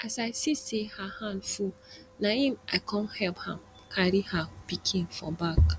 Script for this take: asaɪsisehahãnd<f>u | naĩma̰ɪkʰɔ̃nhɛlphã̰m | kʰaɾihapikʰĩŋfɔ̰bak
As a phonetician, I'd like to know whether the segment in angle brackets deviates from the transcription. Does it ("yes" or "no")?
no